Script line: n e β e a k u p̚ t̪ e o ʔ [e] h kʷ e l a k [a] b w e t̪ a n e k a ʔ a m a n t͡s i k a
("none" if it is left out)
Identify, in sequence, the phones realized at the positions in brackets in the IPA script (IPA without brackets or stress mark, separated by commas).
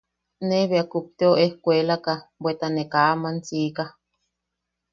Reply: e, a